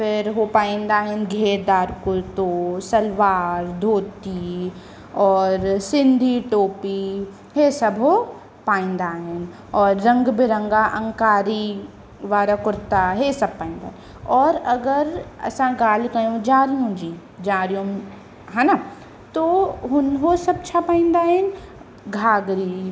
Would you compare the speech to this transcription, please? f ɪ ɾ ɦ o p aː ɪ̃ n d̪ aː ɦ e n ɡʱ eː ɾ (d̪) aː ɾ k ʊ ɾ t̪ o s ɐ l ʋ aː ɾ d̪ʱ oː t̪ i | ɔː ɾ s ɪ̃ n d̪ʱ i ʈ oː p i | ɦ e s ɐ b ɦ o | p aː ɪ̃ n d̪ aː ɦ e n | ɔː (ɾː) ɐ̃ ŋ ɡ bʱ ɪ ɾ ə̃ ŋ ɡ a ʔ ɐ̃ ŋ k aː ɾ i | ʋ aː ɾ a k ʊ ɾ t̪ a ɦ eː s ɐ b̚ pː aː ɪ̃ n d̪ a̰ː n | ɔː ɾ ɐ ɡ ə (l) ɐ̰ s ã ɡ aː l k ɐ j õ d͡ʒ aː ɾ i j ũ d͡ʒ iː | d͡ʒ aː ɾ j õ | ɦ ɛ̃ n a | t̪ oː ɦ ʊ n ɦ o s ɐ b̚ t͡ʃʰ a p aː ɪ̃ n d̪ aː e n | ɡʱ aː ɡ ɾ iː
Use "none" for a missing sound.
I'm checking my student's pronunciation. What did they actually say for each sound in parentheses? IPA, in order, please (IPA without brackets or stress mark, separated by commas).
d̪, ɾː, ɾ